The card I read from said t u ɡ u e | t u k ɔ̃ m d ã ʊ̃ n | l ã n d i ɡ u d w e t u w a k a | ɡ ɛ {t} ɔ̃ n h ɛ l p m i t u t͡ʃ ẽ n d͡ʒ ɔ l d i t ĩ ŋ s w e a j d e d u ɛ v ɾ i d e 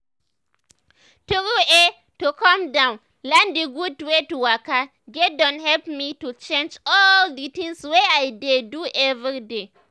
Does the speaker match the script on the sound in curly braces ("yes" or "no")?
no